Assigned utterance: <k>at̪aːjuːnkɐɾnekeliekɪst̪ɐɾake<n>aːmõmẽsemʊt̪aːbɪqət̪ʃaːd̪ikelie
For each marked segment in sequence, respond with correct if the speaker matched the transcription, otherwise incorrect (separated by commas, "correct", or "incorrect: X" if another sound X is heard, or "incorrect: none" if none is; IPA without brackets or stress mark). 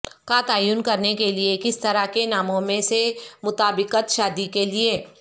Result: correct, correct